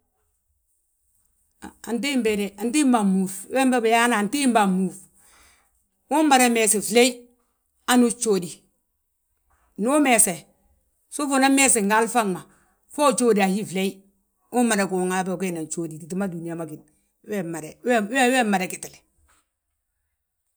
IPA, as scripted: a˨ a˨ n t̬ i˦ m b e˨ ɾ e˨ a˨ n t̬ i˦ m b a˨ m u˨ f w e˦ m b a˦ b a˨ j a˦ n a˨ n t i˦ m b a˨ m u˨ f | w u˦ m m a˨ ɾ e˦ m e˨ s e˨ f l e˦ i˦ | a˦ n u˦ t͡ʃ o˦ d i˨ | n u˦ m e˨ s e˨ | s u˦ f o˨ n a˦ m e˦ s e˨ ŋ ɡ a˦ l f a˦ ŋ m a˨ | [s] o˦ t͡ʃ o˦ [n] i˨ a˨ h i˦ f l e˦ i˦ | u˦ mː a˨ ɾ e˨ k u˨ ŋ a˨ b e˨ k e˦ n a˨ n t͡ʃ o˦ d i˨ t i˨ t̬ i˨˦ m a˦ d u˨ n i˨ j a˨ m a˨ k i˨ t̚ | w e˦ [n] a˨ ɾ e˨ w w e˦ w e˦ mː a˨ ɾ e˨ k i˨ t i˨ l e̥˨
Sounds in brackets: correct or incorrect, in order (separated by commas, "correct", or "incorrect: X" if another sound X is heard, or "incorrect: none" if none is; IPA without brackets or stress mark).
incorrect: f, incorrect: d, incorrect: m